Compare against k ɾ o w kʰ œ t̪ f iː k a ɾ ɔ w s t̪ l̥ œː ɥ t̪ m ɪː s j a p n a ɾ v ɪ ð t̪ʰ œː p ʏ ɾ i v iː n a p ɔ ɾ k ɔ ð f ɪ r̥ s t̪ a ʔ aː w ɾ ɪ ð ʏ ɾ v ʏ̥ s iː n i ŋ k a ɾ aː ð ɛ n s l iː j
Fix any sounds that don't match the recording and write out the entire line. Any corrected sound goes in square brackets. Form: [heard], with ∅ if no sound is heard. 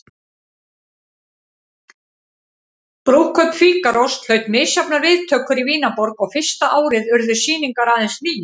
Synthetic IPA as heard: [p] ɾ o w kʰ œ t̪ f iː k a ɾ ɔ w s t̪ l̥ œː ɥ t̪ m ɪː s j a p n a ɾ v ɪ ð t̪ʰ œː [k] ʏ ɾ i v iː n a p ɔ ɾ k ɔ [ɣ] f ɪ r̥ s t̪ a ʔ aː w ɾ ɪ ð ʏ ɾ [ð] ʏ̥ s iː n i ŋ k a ɾ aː ð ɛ n s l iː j